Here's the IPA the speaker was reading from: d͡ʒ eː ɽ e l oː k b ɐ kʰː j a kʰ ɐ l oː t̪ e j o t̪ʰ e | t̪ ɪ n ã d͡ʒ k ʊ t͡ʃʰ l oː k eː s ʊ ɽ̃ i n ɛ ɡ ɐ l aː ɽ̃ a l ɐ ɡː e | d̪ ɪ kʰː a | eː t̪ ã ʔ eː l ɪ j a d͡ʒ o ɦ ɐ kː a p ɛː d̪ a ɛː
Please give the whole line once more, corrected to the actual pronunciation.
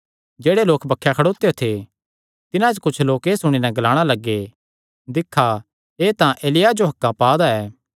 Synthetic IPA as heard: d͡ʒ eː ɽ e l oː k b ɐ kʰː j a kʰ ɐ ɽ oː t̪ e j o t̪ʰ e | t̪ ɪ n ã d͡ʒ k ʊ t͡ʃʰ l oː k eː s ʊ ɽ̃ i n ɛ ɡ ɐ l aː ɽ̃ a l ɐ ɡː e | d̪ ɪ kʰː a | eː t̪ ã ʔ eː l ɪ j a d͡ʒ o ɦ ɐ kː a p aː d̪ a ɛː